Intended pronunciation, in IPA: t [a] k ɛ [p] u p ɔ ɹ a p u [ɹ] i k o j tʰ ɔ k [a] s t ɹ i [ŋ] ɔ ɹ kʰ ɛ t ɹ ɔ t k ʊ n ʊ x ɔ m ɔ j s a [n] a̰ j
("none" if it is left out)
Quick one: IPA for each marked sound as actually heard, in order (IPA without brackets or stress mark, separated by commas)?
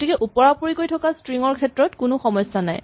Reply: i, ʔ, ɹ, a, ŋ, n